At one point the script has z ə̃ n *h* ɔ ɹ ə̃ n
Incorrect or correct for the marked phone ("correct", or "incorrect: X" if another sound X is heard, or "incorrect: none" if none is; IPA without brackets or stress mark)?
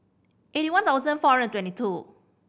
incorrect: f